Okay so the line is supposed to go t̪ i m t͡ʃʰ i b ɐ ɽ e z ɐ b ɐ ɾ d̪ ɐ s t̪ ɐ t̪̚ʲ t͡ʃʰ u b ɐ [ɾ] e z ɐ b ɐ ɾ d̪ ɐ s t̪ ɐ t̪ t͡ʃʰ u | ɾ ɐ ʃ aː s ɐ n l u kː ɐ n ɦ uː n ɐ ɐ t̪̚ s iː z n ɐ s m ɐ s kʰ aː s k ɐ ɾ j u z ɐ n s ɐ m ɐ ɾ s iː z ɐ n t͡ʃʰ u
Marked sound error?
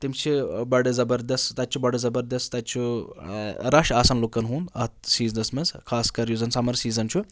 yes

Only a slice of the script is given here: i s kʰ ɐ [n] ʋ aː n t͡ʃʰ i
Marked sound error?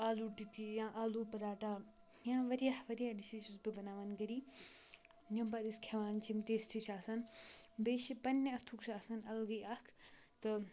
yes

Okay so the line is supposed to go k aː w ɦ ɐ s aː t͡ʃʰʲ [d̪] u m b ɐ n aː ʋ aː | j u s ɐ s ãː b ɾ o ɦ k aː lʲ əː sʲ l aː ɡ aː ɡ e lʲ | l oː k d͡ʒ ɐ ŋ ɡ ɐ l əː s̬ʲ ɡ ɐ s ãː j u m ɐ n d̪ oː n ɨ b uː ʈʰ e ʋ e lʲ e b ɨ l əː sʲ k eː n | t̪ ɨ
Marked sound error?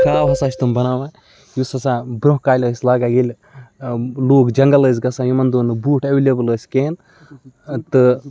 yes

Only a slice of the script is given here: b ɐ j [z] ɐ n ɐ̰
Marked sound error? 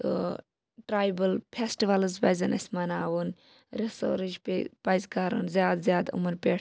no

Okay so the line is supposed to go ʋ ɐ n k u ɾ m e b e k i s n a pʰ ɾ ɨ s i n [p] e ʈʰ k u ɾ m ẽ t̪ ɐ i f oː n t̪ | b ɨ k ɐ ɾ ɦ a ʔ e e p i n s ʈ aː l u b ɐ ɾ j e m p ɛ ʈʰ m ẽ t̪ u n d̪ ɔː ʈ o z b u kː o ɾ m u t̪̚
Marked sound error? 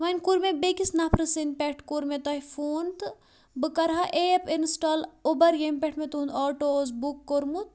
no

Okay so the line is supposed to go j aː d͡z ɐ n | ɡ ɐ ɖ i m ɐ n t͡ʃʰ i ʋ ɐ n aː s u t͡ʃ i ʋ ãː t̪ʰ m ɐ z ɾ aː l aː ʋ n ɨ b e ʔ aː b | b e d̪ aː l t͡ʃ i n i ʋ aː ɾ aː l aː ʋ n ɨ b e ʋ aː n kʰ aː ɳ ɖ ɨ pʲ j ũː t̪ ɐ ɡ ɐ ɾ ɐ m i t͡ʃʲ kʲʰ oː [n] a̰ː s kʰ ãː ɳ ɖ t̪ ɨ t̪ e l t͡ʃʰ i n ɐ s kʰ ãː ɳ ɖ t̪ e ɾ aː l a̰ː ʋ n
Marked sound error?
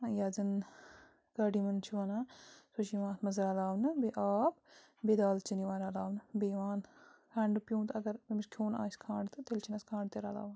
no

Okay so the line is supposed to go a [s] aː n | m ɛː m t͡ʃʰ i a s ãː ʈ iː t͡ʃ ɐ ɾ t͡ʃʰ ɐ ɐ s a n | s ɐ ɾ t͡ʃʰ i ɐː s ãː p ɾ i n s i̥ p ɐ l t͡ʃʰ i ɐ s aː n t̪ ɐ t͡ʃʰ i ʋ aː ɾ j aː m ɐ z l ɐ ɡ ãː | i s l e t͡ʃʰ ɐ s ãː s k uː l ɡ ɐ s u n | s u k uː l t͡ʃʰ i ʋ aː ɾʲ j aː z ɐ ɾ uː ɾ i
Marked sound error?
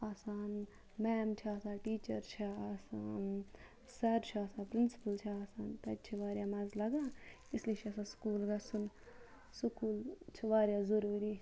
no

